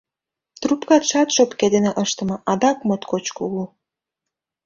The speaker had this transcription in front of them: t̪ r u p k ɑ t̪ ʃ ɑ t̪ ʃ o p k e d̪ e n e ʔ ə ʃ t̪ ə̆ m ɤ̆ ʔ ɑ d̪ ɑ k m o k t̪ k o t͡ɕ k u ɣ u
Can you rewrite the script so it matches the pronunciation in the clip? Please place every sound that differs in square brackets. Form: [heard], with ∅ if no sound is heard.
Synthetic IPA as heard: t̪ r u p k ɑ t̪ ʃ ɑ t̪ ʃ o p k e d̪ e n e ʔ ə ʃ t̪ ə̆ m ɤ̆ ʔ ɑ d̪ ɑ k m o [∅] t̪ k o t͡ɕ k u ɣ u